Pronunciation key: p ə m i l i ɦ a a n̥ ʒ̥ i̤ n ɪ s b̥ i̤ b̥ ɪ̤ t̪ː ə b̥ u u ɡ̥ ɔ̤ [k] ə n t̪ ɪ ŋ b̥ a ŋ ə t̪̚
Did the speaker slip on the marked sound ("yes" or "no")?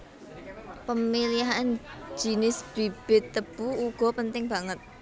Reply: yes